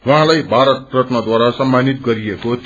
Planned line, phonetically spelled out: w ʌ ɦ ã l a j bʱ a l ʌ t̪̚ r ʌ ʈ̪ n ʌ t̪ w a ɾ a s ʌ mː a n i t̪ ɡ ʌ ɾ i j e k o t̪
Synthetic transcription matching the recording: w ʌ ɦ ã l a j bʱ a ɾ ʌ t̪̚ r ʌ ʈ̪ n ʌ d̪ w a ɾ a s ʌ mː a n i t̪ ɡ ʌ ɾ i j e k o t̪